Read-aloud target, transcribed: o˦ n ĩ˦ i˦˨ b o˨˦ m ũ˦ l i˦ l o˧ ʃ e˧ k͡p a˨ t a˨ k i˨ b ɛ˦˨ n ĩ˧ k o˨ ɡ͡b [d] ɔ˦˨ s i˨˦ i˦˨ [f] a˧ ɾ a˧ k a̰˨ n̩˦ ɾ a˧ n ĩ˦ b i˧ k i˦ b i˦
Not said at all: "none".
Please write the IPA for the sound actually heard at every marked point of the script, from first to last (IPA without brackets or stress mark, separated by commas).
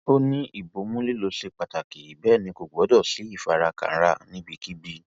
d, f